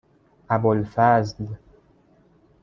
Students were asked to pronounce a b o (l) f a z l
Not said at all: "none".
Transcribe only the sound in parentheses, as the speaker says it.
l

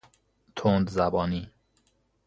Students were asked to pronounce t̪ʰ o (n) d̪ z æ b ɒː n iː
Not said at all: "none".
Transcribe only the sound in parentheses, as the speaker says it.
n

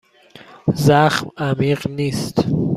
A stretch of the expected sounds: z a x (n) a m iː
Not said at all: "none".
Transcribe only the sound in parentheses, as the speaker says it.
m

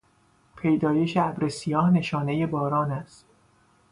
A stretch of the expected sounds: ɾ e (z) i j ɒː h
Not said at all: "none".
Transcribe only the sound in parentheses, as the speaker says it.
s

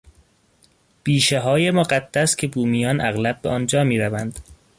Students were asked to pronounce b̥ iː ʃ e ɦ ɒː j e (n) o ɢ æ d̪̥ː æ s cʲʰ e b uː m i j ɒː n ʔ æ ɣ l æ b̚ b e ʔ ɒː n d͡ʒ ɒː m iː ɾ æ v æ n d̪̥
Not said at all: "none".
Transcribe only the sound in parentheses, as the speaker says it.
m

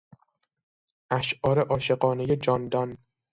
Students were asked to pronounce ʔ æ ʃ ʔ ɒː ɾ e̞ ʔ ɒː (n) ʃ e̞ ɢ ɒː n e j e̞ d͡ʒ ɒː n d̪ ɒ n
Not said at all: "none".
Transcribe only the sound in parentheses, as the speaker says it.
none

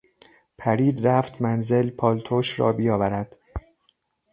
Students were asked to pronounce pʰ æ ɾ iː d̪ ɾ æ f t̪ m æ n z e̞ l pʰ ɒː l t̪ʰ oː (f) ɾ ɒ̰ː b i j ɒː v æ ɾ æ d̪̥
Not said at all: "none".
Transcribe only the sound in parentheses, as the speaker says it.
ʃ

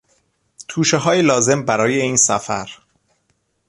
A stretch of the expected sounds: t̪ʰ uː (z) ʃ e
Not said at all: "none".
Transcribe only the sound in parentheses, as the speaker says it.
none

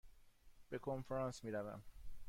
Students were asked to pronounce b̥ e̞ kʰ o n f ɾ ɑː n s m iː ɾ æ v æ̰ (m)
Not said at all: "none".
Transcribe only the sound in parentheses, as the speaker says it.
m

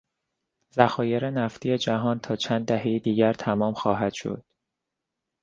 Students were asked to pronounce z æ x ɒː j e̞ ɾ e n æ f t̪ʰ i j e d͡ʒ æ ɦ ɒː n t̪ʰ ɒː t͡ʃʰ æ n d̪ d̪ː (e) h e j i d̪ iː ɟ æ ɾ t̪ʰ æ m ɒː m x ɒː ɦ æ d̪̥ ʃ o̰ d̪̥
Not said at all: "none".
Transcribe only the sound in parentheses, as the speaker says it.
æ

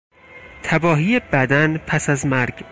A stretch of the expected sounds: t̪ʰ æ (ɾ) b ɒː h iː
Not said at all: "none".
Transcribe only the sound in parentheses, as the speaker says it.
none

